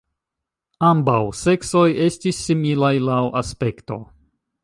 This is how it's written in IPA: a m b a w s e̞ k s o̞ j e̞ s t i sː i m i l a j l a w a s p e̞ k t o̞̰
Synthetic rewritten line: a m b a w s e̞ k s o̞ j e̞ s t i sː i m i l a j l a w a s p e̞ k t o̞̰